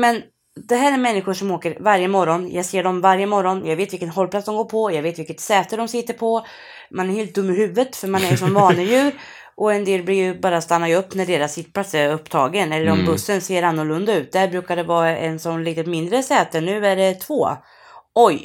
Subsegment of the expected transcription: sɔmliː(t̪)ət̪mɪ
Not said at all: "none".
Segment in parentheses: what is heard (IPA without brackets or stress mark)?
t̪